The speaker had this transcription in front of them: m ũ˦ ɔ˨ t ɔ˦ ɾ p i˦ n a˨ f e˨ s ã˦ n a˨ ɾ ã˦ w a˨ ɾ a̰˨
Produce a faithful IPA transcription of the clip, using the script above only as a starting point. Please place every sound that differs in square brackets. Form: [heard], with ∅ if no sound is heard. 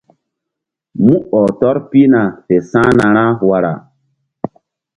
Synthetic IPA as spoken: m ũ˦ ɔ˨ t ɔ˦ ɾ p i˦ n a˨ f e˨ s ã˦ n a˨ ɾ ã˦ w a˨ ɾ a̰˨